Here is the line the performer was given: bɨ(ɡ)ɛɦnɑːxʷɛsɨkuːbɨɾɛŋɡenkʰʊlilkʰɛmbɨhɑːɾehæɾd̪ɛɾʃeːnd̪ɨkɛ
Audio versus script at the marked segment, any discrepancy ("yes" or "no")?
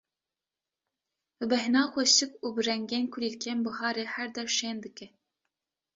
yes